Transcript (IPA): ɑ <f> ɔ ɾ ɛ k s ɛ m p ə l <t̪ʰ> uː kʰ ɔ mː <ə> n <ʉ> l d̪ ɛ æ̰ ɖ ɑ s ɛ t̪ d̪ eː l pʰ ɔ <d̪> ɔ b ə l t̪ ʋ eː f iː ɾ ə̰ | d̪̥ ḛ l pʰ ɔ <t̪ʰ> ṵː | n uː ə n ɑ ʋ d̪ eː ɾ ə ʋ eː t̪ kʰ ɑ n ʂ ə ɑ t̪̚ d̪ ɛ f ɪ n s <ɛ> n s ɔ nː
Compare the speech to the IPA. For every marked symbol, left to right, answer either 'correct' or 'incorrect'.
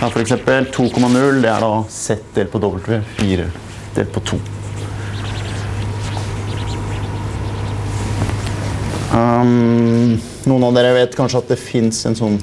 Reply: correct, correct, incorrect: ɑ, correct, correct, correct, correct

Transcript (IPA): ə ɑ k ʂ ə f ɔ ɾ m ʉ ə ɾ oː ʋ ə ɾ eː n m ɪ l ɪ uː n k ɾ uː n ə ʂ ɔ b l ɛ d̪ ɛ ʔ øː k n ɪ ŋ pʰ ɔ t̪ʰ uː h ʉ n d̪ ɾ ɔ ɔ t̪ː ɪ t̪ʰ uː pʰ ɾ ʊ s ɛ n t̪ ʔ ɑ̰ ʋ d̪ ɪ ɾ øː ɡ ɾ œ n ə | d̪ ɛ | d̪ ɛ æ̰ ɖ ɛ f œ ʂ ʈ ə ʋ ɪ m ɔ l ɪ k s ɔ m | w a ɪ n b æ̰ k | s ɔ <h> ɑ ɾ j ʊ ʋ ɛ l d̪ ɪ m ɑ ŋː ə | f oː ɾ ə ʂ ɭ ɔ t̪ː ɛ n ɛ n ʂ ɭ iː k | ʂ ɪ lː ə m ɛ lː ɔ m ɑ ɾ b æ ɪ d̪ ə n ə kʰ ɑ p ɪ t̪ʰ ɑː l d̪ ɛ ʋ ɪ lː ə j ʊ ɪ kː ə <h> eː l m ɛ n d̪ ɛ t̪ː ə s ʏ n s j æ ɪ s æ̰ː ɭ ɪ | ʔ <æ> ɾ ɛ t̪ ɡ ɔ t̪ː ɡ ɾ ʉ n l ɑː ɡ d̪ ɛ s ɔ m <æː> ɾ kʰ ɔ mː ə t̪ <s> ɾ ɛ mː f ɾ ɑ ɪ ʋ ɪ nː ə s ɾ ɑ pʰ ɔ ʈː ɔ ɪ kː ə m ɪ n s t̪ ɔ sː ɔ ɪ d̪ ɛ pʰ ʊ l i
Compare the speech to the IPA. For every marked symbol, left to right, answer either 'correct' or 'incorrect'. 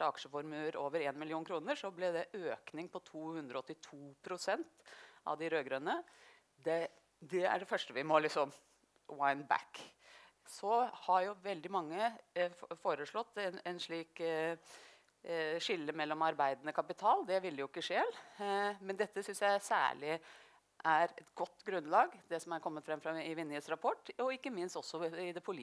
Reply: correct, incorrect: ʂ, correct, incorrect: æ, incorrect: f

